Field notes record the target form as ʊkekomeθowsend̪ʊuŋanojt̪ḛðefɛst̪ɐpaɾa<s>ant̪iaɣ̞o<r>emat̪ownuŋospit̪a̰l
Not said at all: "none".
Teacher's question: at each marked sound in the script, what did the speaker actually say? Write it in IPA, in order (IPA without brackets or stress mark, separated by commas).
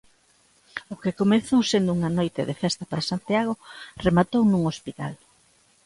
s, r